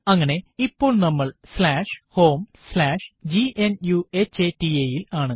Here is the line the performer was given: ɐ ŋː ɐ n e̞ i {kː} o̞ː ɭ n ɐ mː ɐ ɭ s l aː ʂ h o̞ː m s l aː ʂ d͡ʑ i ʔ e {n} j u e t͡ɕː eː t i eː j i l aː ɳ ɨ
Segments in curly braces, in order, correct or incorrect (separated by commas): incorrect, correct